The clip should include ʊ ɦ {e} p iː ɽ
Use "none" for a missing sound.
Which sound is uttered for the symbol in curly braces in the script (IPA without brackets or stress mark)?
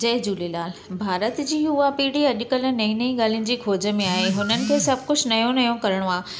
a